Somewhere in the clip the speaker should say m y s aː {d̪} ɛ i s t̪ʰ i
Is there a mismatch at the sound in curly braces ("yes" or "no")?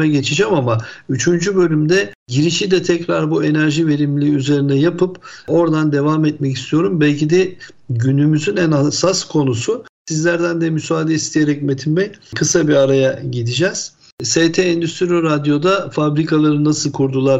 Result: no